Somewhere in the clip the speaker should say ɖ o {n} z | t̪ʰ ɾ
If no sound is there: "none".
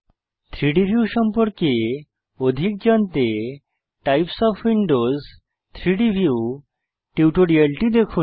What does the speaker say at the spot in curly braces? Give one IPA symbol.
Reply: none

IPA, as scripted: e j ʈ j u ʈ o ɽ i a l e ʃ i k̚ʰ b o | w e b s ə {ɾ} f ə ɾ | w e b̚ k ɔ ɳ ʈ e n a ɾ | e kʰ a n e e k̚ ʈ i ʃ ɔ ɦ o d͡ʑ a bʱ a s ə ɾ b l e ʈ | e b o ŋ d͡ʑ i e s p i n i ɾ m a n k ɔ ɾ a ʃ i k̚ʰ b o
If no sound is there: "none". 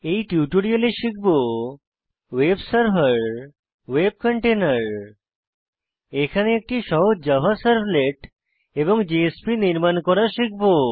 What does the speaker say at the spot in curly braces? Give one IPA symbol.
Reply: ɾ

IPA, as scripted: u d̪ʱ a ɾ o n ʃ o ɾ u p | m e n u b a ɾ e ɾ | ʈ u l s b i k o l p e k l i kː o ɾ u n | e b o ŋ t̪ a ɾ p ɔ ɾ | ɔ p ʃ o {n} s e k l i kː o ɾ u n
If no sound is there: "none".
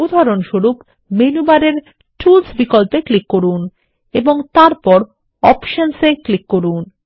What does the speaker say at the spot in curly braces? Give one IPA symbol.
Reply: n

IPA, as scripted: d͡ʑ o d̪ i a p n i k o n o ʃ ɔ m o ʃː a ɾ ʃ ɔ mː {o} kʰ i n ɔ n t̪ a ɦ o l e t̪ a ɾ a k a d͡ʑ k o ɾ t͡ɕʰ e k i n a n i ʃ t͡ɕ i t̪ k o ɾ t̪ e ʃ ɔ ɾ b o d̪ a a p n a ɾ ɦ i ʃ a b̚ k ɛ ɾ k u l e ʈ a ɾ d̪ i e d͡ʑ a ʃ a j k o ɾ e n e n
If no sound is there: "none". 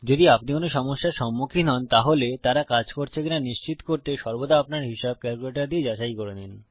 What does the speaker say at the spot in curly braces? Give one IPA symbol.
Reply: u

